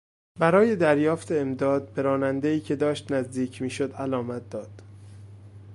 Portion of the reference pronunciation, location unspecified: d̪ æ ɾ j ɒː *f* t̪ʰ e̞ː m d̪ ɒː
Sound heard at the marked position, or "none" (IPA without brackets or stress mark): f